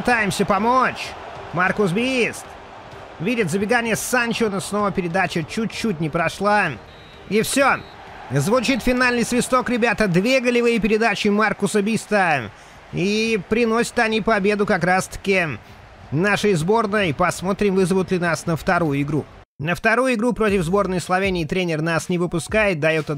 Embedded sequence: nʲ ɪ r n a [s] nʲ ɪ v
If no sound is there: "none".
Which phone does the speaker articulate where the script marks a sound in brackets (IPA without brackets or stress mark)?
s